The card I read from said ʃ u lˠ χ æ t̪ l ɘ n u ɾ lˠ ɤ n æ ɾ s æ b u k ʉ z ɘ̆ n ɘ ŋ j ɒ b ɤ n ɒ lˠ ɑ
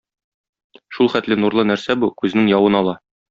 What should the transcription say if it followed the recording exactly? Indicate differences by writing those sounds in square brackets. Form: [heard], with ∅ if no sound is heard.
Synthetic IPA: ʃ u lˠ χ æ t̪ l ɘ n u ɾ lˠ ɤ n æ ɾ s æ b u k ʉ z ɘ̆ n ɘ ŋ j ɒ [w] ɤ n ɒ lˠ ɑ

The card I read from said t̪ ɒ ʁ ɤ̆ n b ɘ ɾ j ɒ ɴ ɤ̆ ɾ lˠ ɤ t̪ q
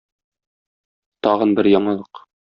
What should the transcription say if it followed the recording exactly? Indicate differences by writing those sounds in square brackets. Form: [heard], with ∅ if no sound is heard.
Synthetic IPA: t̪ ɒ ʁ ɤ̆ n b ɘ ɾ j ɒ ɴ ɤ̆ [∅] lˠ ɤ [∅] q

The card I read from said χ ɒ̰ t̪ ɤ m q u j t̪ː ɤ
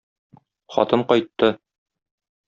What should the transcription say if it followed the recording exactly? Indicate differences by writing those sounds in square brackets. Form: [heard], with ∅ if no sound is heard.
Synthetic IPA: χ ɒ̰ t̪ ɤ [ɴ] q [ɒ] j t̪ː ɤ

